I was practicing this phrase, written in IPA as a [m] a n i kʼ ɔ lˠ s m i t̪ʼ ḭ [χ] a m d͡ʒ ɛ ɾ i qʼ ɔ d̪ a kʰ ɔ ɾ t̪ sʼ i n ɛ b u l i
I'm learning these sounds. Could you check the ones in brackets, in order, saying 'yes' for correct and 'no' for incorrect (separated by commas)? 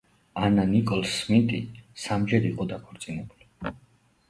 no, no